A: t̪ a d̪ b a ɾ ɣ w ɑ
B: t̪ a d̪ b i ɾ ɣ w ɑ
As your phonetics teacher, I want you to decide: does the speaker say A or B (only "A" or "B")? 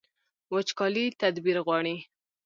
B